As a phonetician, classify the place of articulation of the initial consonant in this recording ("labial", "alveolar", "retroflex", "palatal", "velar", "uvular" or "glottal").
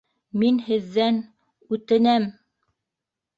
labial